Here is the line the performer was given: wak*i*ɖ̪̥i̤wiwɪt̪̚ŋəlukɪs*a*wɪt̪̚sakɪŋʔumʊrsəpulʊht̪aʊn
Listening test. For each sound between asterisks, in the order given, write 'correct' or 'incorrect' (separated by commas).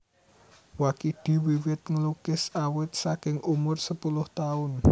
correct, correct